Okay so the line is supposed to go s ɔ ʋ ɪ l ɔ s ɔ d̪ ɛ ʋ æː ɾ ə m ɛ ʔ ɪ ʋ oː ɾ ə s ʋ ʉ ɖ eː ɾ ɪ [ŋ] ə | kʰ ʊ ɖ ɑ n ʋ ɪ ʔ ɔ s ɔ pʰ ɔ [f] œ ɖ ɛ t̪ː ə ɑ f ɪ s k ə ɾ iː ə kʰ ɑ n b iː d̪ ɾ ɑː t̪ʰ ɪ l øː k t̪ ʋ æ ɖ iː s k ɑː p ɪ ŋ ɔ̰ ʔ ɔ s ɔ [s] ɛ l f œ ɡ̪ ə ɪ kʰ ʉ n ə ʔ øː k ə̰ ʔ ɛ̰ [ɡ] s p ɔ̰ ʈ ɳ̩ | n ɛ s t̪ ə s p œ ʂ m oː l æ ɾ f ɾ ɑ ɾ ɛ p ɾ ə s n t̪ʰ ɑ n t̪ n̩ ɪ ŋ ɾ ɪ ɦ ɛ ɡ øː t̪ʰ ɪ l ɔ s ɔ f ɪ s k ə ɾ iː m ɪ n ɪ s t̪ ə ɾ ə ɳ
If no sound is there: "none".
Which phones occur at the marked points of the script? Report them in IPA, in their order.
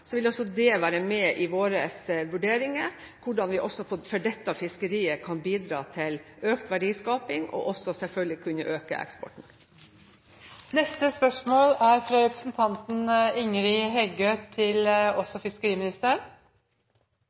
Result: ŋ, f, s, k

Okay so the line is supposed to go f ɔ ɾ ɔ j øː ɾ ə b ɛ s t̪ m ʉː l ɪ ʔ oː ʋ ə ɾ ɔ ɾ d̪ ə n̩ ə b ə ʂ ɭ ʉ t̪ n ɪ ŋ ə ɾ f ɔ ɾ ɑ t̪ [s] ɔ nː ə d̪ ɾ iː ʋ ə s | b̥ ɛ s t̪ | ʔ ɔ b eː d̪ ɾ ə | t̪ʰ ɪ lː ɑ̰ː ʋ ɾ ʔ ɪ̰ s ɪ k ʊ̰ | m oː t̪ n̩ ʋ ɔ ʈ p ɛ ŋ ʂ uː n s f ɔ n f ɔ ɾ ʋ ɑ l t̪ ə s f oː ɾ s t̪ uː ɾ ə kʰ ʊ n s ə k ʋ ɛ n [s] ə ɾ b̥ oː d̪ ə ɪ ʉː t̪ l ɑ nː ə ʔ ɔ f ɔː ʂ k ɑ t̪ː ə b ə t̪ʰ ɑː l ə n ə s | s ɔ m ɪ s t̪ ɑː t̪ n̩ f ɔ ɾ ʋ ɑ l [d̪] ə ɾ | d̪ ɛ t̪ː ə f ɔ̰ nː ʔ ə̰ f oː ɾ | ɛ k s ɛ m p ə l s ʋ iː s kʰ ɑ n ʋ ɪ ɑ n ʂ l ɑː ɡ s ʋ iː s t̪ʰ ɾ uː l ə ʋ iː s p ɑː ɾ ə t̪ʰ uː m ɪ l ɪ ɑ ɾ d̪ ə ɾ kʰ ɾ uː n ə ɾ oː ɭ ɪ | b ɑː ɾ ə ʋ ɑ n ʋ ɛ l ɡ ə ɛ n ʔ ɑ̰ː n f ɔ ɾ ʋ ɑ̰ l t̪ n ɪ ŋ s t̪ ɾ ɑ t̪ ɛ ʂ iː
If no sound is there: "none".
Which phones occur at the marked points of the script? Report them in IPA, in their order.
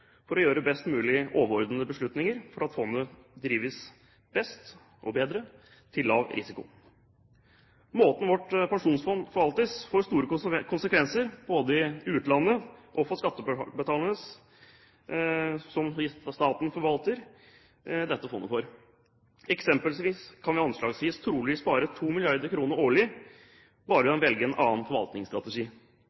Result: f, s, t̪

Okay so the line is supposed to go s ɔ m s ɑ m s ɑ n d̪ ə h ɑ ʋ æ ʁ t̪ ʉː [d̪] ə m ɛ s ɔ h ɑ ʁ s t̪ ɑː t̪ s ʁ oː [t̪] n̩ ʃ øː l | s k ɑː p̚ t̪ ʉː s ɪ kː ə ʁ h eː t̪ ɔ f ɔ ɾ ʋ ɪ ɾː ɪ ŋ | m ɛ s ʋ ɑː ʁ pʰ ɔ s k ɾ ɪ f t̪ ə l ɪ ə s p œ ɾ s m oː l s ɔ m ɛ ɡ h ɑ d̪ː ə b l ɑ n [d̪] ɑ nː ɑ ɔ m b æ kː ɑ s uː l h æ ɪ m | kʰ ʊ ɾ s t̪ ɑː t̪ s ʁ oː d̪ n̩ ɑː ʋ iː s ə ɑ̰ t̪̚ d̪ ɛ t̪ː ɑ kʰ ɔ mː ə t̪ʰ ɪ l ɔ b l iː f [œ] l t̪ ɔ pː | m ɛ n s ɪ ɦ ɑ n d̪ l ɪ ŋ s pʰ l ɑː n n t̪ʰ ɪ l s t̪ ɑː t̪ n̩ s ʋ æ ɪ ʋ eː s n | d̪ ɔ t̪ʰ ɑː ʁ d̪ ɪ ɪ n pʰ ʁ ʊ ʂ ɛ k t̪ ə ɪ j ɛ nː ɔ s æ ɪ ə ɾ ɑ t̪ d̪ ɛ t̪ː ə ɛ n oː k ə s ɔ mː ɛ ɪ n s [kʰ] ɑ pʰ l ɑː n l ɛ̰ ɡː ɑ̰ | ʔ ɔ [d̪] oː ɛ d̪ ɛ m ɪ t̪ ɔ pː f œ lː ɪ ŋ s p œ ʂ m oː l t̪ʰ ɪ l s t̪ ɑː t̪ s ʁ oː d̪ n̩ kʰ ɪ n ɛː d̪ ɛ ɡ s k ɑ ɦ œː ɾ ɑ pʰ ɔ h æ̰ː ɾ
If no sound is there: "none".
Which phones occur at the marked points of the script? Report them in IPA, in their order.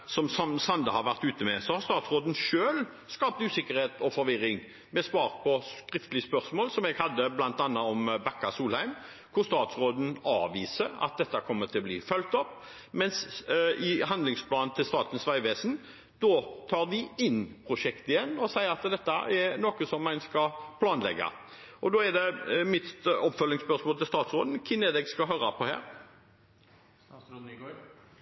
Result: t̪, d̪, t̪, œ, k, d̪

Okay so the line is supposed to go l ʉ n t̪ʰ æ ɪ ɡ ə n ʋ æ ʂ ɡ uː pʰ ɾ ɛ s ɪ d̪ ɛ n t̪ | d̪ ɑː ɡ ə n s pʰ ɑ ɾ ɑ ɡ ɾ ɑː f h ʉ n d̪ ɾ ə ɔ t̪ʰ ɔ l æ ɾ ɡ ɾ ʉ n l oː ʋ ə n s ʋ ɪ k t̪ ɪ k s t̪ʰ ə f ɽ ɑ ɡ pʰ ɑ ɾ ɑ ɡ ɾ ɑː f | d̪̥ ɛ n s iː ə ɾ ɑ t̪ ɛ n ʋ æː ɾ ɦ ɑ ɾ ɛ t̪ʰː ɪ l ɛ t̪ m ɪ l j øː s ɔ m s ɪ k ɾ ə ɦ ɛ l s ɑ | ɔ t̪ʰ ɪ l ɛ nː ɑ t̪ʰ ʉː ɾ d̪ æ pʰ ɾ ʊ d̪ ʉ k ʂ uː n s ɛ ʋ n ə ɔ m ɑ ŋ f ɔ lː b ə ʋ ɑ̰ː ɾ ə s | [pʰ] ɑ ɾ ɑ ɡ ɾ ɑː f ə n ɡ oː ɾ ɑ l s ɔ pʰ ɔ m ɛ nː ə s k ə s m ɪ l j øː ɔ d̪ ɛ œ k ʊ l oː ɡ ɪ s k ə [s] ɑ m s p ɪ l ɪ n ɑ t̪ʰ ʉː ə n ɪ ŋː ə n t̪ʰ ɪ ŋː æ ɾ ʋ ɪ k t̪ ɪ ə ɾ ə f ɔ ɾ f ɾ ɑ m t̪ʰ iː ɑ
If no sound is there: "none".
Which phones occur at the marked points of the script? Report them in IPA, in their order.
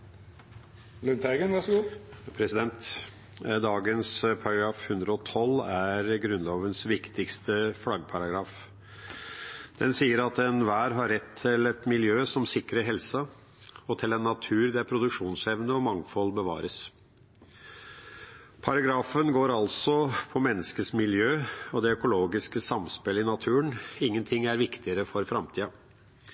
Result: pʰ, s

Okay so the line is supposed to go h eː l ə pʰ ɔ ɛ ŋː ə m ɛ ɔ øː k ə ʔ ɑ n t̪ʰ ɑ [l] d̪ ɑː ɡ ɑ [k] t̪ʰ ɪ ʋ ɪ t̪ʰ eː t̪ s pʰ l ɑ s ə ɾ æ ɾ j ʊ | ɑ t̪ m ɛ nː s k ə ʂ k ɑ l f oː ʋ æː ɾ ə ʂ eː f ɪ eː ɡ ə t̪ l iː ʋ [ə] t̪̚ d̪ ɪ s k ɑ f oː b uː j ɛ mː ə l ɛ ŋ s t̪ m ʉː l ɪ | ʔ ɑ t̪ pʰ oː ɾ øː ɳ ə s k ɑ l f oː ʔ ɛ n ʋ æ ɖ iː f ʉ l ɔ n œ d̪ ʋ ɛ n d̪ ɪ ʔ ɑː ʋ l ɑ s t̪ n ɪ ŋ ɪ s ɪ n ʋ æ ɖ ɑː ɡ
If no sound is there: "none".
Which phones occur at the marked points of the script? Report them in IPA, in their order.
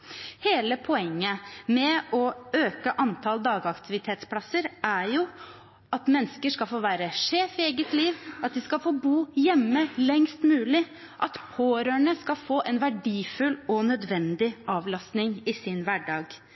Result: l, k, ɑ

